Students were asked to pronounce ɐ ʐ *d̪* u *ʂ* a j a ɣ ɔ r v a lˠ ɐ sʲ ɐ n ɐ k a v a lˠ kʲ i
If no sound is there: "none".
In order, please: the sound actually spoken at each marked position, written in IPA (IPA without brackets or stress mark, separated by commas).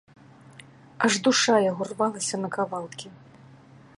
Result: d̪, ʂ